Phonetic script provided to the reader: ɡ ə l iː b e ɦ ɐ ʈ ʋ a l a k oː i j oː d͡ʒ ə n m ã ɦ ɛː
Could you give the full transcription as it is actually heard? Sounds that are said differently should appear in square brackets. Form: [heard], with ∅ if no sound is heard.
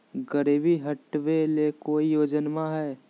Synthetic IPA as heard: ɡ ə [ɾ] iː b [i] ɦ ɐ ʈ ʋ [e] l [e] k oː i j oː d͡ʒ ə n m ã ɦ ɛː